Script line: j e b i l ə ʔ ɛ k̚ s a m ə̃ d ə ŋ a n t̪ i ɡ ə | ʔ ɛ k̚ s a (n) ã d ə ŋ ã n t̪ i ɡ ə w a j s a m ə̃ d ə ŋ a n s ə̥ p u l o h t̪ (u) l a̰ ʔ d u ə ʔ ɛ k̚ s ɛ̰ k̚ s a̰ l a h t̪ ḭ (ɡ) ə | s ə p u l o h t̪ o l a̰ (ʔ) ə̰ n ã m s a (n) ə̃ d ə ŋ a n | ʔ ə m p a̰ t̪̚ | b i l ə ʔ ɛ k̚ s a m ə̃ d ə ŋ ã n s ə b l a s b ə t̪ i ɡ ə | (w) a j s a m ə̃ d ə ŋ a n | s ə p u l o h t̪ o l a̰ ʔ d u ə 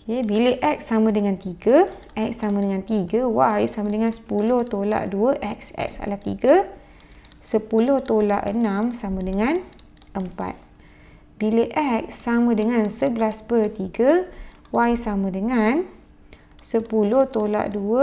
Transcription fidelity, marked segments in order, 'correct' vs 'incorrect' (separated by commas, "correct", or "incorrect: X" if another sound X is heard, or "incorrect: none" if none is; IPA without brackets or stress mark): incorrect: m, incorrect: o, correct, correct, incorrect: m, correct